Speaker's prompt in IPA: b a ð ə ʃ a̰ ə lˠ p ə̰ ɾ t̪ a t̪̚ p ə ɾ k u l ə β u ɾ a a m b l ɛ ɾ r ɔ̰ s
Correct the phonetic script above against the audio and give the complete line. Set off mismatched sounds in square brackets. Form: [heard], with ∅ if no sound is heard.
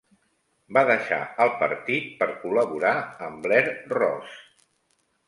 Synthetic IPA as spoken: b a ð ə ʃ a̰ ə lˠ p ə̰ ɾ t̪ [i] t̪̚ p ə ɾ k u l ə β u ɾ a [ə] m b l ɛ ɾ r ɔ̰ s